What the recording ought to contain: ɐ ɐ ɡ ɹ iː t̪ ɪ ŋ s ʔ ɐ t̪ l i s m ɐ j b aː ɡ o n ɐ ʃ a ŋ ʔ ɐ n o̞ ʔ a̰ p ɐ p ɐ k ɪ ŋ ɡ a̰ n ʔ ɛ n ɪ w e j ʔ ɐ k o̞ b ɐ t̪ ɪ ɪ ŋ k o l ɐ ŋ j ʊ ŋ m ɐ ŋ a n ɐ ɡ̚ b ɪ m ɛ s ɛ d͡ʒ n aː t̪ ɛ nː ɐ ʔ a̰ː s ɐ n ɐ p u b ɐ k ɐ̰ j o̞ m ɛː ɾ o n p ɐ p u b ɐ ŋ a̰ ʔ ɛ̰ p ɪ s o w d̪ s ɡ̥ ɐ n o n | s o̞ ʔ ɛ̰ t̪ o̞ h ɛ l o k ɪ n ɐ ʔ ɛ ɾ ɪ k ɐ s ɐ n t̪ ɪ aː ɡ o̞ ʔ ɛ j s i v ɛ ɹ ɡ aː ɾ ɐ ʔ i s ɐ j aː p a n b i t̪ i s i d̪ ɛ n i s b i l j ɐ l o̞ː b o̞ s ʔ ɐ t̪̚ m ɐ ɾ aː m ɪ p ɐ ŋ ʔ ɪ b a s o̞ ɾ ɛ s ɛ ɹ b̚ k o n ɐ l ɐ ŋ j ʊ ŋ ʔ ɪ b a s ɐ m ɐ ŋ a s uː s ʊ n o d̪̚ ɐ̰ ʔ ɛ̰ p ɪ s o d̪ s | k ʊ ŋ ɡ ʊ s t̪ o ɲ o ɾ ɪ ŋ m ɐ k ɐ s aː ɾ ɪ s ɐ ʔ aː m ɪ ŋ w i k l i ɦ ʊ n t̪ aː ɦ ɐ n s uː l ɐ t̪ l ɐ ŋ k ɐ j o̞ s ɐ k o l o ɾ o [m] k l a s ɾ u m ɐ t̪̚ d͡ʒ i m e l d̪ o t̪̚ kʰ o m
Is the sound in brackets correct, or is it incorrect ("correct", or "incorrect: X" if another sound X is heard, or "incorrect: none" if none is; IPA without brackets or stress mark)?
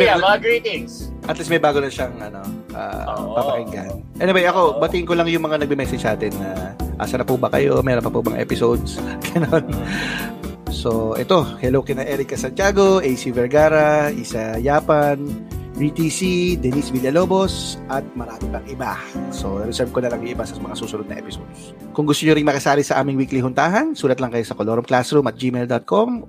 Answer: correct